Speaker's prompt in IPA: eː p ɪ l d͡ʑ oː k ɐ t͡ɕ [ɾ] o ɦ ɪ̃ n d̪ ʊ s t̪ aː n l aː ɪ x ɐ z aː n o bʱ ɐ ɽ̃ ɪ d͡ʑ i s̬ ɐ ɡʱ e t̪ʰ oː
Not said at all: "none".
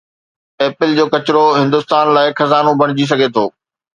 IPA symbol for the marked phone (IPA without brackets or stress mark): ɾ